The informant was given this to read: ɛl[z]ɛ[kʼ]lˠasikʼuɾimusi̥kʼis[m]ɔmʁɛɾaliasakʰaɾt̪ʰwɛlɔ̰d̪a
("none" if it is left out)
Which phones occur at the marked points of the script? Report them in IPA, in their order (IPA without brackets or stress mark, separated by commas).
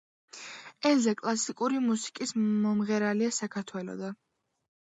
z, kʼ, m